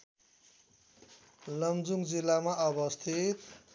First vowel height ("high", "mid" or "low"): mid